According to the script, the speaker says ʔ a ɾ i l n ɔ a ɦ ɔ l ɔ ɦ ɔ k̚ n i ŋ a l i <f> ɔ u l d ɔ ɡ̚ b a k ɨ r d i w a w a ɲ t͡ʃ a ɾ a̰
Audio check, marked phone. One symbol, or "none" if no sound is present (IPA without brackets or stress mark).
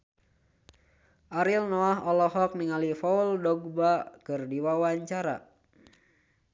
f